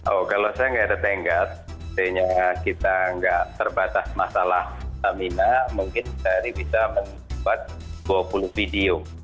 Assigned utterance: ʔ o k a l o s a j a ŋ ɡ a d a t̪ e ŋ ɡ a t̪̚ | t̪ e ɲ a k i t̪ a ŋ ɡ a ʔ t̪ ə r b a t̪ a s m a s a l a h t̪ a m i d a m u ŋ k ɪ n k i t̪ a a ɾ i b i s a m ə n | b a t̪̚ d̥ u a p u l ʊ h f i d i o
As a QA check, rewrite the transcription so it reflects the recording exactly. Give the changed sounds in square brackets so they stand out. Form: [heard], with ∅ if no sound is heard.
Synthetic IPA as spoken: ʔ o k a l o s a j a ŋ ɡ a d a t̪ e ŋ ɡ a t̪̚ | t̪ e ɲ a k i t̪ a ŋ ɡ a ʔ t̪ ə r b a t̪ a s m a s a l a h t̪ a m i [n] a m u ŋ k ɪ n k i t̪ a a ɾ i b i s a m ə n | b a t̪̚ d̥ u a p u l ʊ h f i d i o